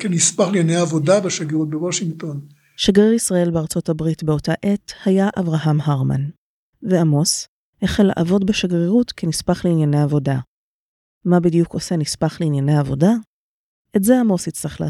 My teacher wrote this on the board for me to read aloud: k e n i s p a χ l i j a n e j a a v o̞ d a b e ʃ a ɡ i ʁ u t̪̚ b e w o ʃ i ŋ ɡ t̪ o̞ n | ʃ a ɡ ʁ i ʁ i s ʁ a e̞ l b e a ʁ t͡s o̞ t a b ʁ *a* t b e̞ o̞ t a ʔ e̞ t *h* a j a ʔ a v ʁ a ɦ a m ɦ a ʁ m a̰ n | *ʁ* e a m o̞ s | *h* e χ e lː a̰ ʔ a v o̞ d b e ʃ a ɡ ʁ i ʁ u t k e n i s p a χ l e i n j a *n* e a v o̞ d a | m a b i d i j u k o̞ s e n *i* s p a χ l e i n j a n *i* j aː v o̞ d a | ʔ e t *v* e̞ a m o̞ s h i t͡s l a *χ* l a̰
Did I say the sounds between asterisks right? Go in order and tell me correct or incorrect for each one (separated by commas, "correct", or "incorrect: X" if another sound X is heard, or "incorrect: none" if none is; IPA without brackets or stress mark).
incorrect: i, correct, incorrect: v, correct, correct, correct, incorrect: e, incorrect: z, correct